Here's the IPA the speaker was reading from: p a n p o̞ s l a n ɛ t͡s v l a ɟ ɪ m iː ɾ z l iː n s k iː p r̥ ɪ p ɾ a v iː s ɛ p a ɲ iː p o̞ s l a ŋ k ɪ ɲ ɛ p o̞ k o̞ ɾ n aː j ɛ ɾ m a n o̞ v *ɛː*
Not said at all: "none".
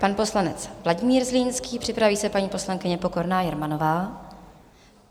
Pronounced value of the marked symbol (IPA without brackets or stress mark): aː